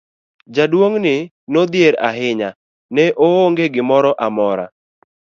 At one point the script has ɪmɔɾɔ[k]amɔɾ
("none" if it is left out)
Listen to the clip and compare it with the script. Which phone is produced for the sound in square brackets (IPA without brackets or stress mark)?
ʔ